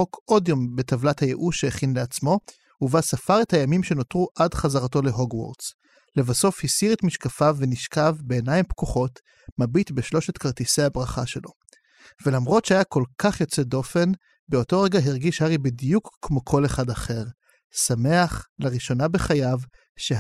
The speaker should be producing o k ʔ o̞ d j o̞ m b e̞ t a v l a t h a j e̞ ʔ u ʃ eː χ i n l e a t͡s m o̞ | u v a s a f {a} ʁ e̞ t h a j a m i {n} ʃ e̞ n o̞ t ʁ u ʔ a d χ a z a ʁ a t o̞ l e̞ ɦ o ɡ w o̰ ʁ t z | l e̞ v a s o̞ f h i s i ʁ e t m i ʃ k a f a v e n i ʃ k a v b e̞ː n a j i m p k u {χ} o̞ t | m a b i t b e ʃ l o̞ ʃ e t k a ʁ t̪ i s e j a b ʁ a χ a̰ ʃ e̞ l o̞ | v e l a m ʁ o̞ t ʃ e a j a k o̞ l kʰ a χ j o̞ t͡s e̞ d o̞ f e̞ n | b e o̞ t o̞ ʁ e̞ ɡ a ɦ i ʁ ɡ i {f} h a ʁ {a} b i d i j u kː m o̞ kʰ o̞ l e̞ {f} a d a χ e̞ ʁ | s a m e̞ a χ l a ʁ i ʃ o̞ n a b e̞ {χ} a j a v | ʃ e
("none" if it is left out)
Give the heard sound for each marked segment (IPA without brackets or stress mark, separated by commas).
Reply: a, m, χ, ʃ, i, χ, χ